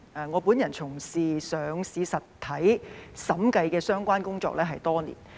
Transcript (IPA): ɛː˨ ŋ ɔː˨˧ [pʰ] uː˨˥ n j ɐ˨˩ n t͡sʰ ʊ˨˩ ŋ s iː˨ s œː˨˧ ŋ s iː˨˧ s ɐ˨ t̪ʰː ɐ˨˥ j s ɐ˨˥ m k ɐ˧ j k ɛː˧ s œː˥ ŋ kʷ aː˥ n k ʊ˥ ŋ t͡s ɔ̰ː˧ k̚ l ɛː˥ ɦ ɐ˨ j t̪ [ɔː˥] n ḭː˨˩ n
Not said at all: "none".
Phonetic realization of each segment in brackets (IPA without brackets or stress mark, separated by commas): p, ɔː˥